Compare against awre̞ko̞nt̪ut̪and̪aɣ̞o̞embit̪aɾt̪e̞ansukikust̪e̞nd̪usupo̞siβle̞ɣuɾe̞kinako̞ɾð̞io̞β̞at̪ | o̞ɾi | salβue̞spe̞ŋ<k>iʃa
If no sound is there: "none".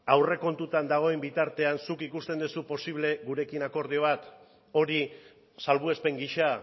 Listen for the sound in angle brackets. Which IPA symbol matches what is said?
ɡ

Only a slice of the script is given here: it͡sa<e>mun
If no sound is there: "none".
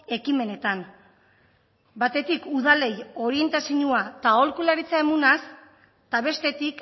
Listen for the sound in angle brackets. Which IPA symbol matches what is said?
e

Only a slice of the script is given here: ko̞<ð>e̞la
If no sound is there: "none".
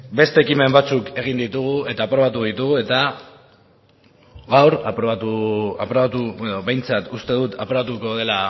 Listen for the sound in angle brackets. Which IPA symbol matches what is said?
ð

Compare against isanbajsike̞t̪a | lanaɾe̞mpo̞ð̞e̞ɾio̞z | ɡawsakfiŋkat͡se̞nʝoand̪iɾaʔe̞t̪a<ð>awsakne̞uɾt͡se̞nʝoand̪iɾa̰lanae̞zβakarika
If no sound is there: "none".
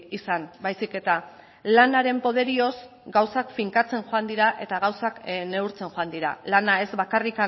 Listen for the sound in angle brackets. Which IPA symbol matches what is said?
ɣ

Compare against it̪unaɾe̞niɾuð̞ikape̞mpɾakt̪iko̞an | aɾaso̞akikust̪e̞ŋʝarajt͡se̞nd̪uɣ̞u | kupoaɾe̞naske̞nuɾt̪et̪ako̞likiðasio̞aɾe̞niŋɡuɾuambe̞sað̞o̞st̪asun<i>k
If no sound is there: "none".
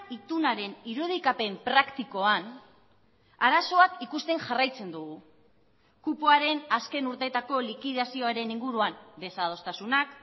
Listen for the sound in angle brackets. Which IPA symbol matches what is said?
a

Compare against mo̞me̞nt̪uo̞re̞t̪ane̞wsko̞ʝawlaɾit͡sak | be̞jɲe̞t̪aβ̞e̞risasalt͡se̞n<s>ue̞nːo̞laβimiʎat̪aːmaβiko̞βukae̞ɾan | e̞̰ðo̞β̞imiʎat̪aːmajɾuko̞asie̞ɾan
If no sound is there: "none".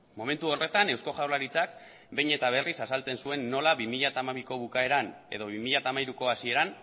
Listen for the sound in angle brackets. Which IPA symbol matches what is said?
s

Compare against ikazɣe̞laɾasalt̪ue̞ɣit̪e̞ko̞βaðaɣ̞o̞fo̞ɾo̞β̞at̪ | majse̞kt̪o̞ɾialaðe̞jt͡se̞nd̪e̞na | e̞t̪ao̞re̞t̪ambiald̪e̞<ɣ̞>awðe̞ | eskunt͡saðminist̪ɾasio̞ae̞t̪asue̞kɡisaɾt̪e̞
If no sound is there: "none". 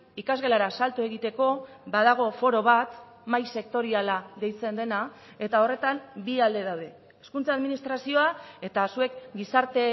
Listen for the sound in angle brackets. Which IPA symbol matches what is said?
ð̞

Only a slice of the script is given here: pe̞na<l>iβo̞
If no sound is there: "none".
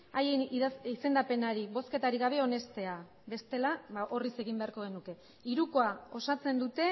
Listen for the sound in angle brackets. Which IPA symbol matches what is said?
ɾ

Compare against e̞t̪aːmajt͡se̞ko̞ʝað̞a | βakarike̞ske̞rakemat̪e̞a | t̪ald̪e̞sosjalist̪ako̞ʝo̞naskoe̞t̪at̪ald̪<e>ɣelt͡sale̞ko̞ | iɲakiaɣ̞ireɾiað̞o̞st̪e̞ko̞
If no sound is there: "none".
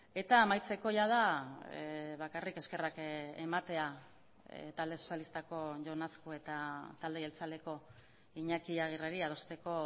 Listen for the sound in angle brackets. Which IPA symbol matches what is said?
e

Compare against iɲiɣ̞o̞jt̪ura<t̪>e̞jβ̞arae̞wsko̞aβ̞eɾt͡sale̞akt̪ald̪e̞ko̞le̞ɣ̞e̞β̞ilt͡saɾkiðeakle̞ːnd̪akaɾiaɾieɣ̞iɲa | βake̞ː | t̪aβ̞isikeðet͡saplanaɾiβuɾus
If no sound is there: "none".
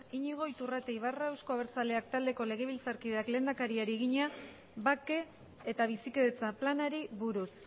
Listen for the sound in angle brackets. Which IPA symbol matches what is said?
t̪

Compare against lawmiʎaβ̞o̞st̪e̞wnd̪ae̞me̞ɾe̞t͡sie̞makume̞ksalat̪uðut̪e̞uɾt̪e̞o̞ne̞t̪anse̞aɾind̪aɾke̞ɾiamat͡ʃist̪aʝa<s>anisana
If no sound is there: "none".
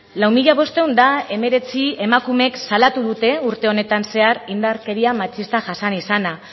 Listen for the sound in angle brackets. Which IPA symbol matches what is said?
s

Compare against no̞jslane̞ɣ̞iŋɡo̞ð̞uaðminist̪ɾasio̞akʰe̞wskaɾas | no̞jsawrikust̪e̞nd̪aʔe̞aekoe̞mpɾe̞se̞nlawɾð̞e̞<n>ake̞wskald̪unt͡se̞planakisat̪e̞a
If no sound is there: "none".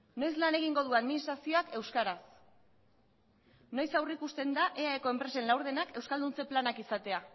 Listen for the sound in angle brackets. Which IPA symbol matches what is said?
n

